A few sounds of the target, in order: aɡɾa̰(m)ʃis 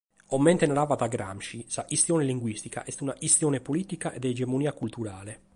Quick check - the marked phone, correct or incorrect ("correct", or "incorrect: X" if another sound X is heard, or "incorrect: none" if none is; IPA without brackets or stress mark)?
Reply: correct